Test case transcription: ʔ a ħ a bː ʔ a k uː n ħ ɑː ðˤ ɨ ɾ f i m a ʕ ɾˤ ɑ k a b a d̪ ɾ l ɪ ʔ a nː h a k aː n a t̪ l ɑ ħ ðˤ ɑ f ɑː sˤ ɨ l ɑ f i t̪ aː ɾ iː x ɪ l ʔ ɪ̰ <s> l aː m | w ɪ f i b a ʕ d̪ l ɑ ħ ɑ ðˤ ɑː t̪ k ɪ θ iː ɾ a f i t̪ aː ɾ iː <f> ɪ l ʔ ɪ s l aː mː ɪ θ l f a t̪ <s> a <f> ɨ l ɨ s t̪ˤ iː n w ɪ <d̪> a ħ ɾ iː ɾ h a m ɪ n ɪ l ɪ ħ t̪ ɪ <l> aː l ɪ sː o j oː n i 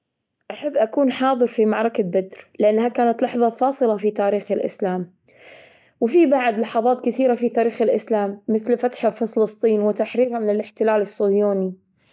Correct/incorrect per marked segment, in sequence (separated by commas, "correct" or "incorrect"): correct, incorrect, incorrect, correct, incorrect, correct